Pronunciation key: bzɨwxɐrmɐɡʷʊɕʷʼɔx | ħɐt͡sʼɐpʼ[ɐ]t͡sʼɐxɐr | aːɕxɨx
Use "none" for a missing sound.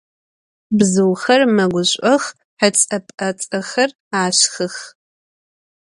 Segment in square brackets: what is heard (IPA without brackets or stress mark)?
ɐ